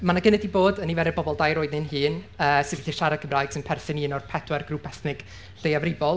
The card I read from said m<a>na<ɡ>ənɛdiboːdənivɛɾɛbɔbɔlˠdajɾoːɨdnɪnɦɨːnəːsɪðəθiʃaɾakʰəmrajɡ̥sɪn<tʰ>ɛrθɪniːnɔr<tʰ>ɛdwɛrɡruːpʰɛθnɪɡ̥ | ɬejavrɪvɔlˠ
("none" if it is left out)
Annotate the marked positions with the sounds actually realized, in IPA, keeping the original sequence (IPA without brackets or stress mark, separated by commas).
a, ɡ, pʰ, pʰ